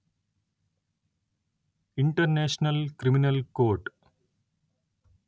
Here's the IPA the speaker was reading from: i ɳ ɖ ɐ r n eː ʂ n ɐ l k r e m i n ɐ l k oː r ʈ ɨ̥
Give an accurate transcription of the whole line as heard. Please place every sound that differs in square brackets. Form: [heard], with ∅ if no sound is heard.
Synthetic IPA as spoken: i ɳ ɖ ɐ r n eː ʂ n ɐ l k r [i] m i n ɐ l k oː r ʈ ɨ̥